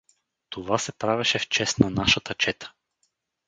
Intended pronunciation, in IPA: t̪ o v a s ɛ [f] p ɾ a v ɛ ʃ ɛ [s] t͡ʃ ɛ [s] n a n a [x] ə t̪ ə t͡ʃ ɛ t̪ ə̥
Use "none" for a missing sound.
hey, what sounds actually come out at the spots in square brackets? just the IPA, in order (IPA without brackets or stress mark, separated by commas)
none, f, s, ʃ